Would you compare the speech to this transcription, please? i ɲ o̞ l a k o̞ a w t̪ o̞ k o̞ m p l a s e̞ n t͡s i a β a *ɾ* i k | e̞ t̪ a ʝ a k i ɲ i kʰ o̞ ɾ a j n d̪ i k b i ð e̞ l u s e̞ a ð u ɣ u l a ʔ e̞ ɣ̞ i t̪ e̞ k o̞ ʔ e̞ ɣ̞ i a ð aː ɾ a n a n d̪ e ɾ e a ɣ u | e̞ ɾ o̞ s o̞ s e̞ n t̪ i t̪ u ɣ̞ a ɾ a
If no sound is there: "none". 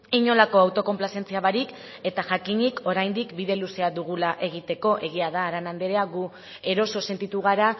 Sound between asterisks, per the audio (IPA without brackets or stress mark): ɾ